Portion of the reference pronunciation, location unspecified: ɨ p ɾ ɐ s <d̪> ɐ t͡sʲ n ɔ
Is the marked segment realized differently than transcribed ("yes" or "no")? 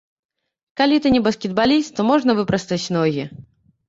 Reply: yes